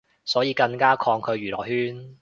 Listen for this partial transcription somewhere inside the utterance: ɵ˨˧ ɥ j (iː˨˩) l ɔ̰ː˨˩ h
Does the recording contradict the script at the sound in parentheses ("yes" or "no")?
yes